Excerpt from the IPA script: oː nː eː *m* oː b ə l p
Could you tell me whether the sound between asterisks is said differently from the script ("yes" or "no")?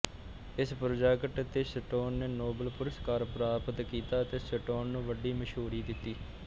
yes